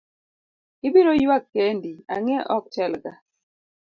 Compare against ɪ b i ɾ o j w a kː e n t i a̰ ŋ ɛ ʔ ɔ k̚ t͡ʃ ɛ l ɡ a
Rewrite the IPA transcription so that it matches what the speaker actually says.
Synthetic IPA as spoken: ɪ b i ɾ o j w a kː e n d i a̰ ŋ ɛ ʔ ɔ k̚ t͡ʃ ɛ l ɡ a